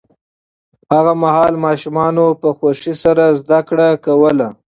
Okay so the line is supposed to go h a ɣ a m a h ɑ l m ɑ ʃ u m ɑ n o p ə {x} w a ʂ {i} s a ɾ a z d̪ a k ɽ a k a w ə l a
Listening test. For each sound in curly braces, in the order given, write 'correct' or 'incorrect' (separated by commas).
correct, correct